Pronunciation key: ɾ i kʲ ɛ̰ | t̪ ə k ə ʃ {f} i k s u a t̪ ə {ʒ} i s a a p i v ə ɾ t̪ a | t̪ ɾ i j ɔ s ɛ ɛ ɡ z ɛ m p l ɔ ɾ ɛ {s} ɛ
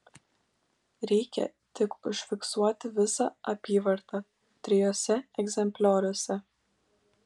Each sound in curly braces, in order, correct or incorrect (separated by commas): correct, incorrect, correct